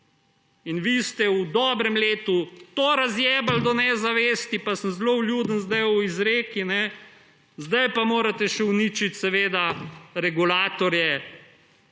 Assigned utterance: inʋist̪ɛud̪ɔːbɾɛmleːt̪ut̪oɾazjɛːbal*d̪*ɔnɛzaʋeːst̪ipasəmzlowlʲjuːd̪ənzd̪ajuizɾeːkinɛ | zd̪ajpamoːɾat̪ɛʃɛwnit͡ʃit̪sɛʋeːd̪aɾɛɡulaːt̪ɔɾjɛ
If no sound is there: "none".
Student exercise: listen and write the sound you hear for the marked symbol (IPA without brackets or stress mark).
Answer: d̪